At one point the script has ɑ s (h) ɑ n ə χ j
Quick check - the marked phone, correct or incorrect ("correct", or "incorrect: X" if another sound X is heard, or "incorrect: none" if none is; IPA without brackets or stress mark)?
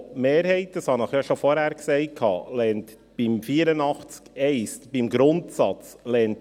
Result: correct